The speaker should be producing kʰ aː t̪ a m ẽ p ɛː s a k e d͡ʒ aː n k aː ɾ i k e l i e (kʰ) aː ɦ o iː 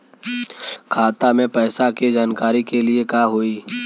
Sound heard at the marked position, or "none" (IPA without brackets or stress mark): k